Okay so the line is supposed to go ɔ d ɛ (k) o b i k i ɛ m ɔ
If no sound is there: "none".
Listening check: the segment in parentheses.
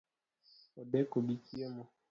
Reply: k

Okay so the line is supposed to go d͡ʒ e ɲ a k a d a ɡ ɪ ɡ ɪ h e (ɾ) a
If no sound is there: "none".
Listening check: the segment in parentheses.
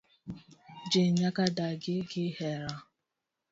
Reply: ɾ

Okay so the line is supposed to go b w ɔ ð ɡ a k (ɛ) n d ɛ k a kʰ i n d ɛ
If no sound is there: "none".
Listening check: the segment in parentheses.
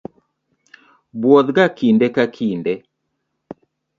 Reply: i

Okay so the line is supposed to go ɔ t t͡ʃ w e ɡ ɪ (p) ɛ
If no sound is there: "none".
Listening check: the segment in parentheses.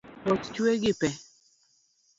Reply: p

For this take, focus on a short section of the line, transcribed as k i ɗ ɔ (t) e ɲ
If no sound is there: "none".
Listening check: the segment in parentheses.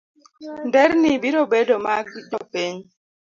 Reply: p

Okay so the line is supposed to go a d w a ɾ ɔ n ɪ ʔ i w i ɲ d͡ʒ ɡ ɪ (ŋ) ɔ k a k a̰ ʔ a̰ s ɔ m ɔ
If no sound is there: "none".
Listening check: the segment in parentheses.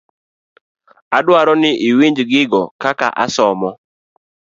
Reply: ɡ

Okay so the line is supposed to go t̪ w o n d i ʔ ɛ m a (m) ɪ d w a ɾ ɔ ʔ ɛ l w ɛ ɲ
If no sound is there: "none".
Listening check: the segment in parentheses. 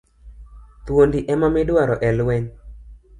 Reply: m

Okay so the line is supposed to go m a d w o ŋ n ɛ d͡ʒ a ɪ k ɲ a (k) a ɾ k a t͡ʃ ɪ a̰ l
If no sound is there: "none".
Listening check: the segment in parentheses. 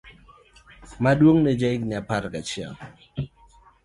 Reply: p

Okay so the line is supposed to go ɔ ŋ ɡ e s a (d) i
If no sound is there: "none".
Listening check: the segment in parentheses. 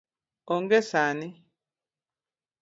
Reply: n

